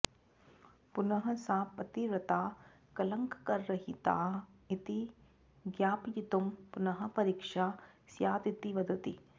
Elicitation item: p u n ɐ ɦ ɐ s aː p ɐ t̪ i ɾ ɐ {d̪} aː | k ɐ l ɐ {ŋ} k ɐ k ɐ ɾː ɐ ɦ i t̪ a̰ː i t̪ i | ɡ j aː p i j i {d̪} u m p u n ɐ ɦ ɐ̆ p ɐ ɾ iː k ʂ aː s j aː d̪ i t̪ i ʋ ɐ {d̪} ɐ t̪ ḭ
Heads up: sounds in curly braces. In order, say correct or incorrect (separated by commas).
incorrect, correct, incorrect, correct